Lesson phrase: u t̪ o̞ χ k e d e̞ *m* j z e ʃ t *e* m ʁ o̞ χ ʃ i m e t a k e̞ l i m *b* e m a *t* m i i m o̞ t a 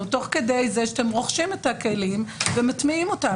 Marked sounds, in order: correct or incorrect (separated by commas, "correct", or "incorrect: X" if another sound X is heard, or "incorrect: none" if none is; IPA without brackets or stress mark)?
incorrect: none, correct, incorrect: v, correct